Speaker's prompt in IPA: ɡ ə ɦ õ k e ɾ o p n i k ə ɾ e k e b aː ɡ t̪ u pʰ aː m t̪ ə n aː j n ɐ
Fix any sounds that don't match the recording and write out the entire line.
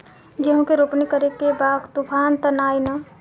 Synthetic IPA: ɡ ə ɦ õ k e ɾ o p n i k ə ɾ e k e b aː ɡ t̪ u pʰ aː n t̪ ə n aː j n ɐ